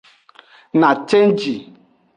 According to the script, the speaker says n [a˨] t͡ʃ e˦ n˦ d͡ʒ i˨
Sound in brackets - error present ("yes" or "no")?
no